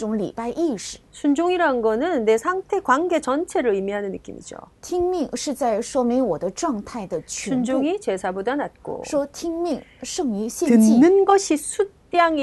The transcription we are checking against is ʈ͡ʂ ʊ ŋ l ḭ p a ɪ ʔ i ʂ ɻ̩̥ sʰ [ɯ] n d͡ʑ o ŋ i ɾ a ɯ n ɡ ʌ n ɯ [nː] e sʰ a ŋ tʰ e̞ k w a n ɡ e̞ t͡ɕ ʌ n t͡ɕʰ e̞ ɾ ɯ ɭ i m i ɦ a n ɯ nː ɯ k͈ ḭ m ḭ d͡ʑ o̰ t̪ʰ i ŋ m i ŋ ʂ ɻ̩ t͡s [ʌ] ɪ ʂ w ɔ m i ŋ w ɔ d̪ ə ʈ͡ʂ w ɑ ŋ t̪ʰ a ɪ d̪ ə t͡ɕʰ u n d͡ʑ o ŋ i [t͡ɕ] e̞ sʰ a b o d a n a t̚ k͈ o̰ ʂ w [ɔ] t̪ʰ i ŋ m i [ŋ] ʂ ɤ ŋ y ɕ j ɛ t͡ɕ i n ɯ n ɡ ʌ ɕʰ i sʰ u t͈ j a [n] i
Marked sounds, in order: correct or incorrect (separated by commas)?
incorrect, correct, incorrect, correct, correct, correct, incorrect